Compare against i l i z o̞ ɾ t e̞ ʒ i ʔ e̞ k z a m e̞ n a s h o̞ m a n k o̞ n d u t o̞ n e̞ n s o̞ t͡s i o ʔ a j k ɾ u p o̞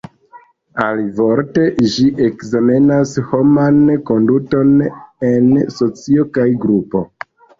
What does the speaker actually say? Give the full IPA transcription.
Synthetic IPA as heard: a l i v o̞ ɾ t e̞ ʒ i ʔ e̞ k z a m e̞ n a s h o̞ m a n k o̞ n d u t o̞ n e̞ n s o̞ t͡s i o k a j ɡ ɾ u p o̞

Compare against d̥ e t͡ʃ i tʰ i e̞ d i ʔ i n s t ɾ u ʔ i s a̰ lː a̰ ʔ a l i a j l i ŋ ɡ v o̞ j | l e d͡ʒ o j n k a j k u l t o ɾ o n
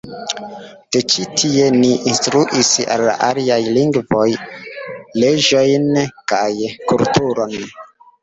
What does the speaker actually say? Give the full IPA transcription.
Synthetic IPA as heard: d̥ e t͡ʃ i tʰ i e̞ n i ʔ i n s t ɾ u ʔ i s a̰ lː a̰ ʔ a l i a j l i ŋ ɡ v o̞ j | l e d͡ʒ o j n k a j k u l t u ɾ o n

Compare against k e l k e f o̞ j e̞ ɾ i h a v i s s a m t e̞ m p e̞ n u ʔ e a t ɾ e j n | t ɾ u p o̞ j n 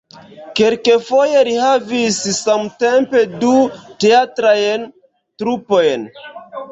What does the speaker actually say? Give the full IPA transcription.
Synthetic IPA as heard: k e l k e f o̞ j e̞ ɾ i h a v i s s a m t e̞ m p e̞ d u t e a t ɾ a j n | t ɾ u p o̞ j n

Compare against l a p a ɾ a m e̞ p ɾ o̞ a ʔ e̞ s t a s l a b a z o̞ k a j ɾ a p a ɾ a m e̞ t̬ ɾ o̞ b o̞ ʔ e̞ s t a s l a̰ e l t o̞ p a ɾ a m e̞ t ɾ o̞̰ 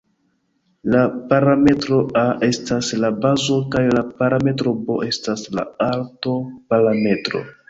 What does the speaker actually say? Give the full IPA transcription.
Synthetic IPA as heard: l a p a ɾ a m e̞ t ɾ o̞ a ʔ e̞ s t a s l a b a z o̞ k a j l a p a ɾ a m e̞ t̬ ɾ o̞ b o̞ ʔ e̞ s t a s l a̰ a l t o̞ p a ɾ a m e̞ t ɾ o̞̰

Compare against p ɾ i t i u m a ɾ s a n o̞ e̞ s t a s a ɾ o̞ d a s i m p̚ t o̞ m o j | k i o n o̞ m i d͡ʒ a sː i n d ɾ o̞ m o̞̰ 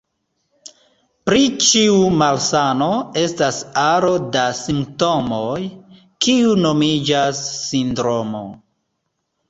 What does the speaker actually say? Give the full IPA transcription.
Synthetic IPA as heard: p ɾ i t͡ʃ i u m a l s a n o̞ e̞ s t a s a ɾ o̞ d a s i m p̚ t o̞ m o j | k i u n o̞ m i d͡ʒ a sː i n d ɾ o̞ m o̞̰

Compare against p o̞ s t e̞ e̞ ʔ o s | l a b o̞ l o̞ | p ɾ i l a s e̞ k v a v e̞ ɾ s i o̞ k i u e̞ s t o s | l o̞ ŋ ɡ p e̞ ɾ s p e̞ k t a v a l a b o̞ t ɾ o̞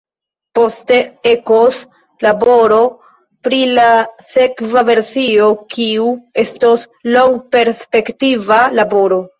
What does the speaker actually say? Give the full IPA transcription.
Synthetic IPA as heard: p o̞ s t e̞ e̞ k o s | l a b o̞ ɾ o̞ | p ɾ i l a s e̞ k v a v e̞ ɾ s i o̞ k i u e̞ s t o s | l o̞ ŋ ɡ p e̞ ɾ s p e̞ k t i v a l a b o̞ ɾ o̞

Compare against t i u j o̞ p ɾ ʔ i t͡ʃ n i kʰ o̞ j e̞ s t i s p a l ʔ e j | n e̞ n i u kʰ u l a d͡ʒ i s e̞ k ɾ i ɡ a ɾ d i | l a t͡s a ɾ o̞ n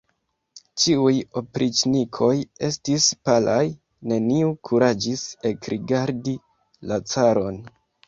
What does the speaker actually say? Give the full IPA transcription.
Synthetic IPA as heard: t͡ʃ i u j o̞ p ɾ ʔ i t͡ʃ n i kʰ o̞ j e̞ s t i s p a l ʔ a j | n e̞ n i u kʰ u ɾ a d͡ʒ i s e̞ k ɾ i ɡ a ɾ d i | l a t͡s a ɾ o̞ n

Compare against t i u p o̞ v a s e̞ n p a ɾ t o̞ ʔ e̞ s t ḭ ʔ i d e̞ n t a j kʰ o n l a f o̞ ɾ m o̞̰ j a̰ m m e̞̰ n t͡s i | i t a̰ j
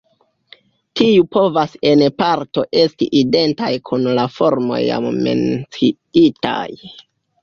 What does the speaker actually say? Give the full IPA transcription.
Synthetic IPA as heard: t i u p o̞ v a s e̞ n p a ɾ t o̞ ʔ e̞ s t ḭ ʔ i d e̞ n t a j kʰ u n l a f o̞ ɾ m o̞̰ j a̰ m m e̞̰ n t͡s i | i t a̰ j

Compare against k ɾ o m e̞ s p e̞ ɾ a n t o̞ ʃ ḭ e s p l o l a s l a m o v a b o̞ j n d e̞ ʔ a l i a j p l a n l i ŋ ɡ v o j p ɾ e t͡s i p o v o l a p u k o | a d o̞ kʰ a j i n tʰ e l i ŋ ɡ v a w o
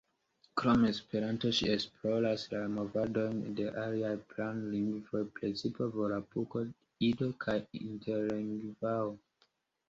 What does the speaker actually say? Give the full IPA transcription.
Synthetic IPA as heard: k ɾ o m e̞ s p e̞ ɾ a n t o̞ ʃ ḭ e s p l o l a s l a m o v a d o̞ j n d e̞ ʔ a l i a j p l a n l i ŋ ɡ v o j p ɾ e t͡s i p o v o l a p u k o | i d o̞ kʰ a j i n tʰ e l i ŋ ɡ v a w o

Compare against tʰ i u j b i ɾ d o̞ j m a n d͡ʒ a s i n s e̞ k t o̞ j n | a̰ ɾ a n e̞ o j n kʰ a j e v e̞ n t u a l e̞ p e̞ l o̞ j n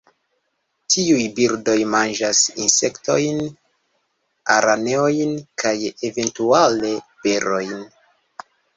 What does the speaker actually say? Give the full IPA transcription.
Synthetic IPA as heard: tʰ i u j b i ɾ d o̞ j m a n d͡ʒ a s i n s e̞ k t o̞ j n | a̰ ɾ a n e̞ o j n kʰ a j e v e̞ n t u a l e̞ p e̞ ɾ o̞ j n

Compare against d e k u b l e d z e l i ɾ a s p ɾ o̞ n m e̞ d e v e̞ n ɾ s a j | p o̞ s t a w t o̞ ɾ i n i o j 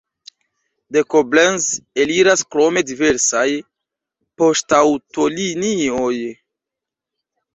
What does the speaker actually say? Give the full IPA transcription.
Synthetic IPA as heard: d e k o b l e n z e l i ɾ a s k ɾ o̞ m e̞ d i v e̞ ɾ s a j | p o̞ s t a w t o̞ l i n i o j

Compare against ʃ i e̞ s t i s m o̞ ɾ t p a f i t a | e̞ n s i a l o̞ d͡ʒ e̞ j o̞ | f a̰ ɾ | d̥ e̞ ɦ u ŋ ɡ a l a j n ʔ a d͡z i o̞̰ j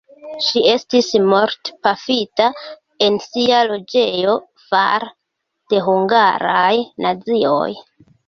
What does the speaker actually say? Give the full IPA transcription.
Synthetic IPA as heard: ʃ i e̞ s t i s m o̞ ɾ t p a f i t a | e̞ n s i a l o̞ d͡ʒ e̞ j o̞ | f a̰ ɾ | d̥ e̞ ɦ u ŋ ɡ a ɾ a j n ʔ a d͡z i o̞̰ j

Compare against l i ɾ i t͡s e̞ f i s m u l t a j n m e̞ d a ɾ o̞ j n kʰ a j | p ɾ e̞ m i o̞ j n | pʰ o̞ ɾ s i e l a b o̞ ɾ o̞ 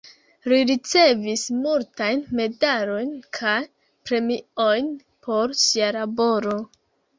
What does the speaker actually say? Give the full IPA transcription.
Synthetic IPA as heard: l i ɾ i t͡s e̞ v i s m u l t a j n m e̞ d a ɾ o̞ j n kʰ a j | p ɾ e̞ m i o̞ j n | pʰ o̞ ɾ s i a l a b o̞ ɾ o̞

